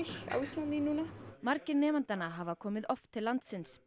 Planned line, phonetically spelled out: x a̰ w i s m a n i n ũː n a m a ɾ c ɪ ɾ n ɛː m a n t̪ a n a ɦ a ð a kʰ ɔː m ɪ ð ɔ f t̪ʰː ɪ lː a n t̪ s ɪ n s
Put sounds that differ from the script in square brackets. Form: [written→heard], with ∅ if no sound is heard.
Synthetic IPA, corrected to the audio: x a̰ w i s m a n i n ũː n a m a ɾ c ɪ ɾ n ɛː m a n t̪ a n a ɦ a [ð→v] a kʰ ɔː m ɪ ð ɔ f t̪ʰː ɪ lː a n t̪ s ɪ n s